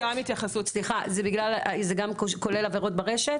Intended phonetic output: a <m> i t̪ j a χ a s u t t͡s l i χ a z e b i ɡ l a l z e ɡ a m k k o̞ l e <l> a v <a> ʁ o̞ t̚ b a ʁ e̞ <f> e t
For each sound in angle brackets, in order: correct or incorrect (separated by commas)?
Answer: correct, correct, incorrect, incorrect